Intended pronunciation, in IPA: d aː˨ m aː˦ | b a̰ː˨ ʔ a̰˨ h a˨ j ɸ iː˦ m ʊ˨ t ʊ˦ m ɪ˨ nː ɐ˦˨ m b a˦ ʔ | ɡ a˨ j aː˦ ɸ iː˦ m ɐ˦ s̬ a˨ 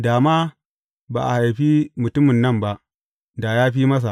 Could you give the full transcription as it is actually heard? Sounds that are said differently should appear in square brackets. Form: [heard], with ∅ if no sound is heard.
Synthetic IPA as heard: d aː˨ m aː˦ | b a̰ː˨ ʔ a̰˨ h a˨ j ɸ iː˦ m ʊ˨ t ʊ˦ m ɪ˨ nː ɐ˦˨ m b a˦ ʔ | [d] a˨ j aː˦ ɸ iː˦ m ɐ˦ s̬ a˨